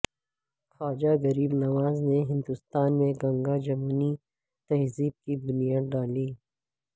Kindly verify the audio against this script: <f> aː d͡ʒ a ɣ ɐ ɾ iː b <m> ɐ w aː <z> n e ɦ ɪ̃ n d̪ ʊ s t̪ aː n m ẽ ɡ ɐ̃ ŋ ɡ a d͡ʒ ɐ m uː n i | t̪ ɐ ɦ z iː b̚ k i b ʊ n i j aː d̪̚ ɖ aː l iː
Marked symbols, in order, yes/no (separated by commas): no, no, yes